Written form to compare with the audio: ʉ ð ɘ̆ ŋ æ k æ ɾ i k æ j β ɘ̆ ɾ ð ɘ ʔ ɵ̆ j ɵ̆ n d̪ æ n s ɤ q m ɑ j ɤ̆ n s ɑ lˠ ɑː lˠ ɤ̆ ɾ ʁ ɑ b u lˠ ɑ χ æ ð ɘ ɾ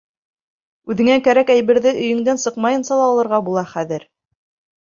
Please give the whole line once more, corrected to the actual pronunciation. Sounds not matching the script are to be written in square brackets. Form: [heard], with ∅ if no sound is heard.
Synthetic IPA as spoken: ʉ ð ɘ̆ ŋ æ k æ ɾ [æ] k æ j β ɘ̆ ɾ ð ɘ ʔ ɵ̆ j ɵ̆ [ŋ] d̪ æ n s ɤ q m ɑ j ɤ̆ n s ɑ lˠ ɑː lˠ ɤ̆ ɾ ʁ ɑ b u lˠ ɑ χ æ ð ɘ ɾ